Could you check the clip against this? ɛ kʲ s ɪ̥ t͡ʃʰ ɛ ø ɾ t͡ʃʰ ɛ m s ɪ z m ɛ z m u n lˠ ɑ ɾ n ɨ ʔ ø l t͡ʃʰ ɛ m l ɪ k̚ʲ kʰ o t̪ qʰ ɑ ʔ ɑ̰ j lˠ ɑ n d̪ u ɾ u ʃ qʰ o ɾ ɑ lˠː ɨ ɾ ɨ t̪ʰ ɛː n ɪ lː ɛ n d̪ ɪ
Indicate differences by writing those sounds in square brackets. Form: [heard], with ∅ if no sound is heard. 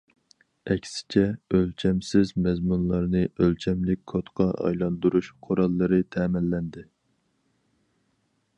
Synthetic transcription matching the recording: ɛ kʲ s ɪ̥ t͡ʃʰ ɛ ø [l] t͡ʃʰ ɛ m s ɪ z m ɛ z m u n lˠ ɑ ɾ n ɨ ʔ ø l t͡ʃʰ ɛ m l ɪ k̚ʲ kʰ o t̪ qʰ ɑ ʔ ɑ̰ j lˠ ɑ n d̪ u ɾ u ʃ qʰ o ɾ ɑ lˠː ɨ ɾ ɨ t̪ʰ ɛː [m] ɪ lː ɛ n d̪ ɪ